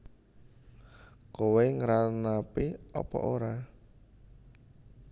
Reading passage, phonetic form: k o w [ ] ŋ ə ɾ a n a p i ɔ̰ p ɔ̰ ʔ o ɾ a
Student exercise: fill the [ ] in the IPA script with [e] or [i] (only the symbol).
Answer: e